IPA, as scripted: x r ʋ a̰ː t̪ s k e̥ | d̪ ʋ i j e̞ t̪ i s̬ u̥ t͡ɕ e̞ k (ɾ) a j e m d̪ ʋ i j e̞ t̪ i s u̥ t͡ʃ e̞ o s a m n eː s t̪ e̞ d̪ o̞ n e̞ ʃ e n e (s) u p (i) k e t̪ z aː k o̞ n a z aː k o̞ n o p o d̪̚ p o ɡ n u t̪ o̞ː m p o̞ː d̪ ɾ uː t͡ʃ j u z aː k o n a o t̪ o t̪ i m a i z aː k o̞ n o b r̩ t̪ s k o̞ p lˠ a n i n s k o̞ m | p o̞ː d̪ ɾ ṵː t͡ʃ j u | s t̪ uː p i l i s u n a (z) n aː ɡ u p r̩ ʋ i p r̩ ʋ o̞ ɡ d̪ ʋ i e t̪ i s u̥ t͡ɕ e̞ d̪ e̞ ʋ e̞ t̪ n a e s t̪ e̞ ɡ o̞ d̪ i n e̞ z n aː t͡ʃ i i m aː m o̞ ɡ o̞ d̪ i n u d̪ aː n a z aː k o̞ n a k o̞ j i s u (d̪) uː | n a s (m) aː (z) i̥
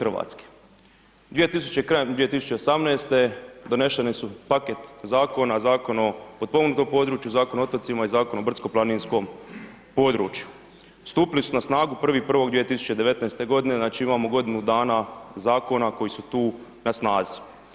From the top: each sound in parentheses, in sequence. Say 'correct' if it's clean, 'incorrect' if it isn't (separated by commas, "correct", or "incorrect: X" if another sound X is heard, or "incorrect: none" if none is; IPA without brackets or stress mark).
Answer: correct, correct, incorrect: a, incorrect: s, incorrect: t̪, incorrect: n, correct